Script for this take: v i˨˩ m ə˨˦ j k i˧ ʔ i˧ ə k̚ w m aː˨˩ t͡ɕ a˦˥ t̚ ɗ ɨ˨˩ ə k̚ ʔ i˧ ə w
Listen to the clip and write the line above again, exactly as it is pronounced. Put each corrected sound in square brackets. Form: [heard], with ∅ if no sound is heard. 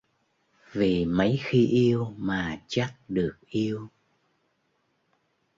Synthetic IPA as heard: v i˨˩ m ə˨˦ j [x] i˧ ʔ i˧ ə [∅] w m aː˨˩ t͡ɕ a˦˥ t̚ ɗ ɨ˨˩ ə k̚ ʔ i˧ ə w